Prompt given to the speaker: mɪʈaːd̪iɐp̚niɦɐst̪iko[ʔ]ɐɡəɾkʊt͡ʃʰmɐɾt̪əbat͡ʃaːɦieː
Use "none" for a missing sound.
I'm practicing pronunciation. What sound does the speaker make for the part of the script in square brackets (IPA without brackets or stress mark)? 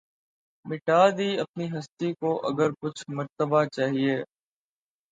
ʔ